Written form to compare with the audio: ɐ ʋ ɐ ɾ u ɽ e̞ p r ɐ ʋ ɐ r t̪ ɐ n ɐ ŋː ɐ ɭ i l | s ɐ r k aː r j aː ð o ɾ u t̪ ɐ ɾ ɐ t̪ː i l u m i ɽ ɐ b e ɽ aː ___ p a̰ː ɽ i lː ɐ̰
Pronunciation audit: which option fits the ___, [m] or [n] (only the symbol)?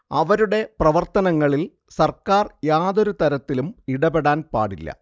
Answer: n